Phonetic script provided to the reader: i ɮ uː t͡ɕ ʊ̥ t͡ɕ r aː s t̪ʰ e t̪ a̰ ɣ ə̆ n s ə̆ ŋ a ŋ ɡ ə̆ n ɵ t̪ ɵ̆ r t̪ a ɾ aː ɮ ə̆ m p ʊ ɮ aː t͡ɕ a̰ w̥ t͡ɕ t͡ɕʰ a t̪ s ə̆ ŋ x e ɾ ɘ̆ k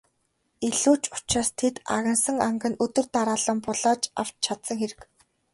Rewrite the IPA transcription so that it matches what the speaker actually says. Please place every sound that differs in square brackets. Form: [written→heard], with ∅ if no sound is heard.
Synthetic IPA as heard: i ɮ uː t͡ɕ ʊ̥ t͡ɕ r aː s t̪ʰ e t̪ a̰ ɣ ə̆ n s ə̆ ŋ a ŋ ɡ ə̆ n ɵ t̪ ɵ̆ r t̪ a ɾ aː ɮ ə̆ m p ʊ ɮ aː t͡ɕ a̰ w̥ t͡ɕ t͡ɕʰ a t̪ s ə̆ ŋ x e ɾ ɘ̆ k